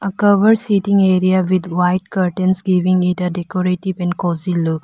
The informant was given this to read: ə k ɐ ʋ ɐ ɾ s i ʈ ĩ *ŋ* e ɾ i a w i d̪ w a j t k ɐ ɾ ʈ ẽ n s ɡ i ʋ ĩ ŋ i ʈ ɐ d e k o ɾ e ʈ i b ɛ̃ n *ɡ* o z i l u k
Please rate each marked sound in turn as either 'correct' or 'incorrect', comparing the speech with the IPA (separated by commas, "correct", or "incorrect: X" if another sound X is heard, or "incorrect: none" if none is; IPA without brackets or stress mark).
correct, incorrect: k